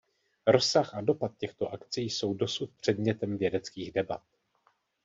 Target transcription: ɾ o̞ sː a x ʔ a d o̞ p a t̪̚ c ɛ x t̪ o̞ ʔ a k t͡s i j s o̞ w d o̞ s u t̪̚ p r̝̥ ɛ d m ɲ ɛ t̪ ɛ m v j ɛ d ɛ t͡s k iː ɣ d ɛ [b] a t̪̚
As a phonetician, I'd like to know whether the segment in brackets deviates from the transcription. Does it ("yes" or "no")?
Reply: no